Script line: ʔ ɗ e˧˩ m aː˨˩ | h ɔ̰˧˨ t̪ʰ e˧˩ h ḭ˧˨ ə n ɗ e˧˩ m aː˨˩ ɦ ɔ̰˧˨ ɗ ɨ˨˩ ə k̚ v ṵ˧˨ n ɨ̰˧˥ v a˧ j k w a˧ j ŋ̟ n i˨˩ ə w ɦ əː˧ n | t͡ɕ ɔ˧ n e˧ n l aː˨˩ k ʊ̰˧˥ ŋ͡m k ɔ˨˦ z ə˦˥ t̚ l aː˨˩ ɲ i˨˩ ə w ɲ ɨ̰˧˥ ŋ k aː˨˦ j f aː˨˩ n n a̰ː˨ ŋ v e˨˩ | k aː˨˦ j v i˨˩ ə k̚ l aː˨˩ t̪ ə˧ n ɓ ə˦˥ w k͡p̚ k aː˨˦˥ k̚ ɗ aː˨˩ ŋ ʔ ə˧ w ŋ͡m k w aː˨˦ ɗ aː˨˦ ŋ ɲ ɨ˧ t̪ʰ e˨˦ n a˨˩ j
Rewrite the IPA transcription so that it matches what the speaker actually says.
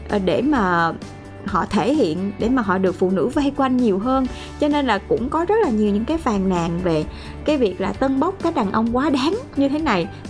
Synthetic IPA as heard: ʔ ɗ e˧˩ m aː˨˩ | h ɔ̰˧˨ t̪ʰ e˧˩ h ḭ˧˨ ə n ɗ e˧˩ m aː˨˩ ɦ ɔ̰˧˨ ɗ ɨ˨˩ ə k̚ f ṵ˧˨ n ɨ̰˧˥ v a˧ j k w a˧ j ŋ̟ ɲ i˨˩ ə w ɦ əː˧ n | t͡ɕ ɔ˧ n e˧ n l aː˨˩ k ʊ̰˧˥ ŋ͡m k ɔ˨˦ z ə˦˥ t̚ l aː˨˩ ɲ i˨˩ ə w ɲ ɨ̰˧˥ ŋ k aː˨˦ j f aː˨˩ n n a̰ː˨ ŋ v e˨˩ | k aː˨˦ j v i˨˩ ə k̚ l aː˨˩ t̪ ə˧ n ɓ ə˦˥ w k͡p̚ k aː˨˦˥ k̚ ɗ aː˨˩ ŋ ʔ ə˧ w ŋ͡m k w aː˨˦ ɗ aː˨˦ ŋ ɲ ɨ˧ t̪ʰ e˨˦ n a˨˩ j